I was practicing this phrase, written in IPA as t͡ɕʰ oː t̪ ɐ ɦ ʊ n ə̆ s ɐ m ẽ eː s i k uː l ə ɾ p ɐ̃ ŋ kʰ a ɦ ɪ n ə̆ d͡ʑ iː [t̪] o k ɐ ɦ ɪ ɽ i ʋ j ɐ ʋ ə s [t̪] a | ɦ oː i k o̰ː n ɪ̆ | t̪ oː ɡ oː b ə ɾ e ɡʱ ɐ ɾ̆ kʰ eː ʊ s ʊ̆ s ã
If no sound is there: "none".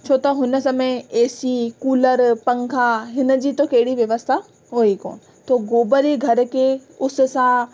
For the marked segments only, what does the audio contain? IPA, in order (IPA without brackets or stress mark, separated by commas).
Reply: t̪, t̪ʰ